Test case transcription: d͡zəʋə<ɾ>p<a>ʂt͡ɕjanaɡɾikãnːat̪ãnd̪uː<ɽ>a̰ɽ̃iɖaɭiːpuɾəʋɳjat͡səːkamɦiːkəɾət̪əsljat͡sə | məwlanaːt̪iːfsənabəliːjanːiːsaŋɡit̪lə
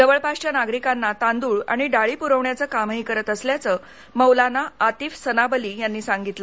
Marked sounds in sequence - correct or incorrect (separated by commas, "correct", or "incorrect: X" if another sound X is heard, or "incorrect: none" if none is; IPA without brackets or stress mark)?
incorrect: ɭ, correct, incorrect: ɭ